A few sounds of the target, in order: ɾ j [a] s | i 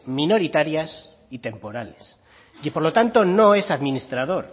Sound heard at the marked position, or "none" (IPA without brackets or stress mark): a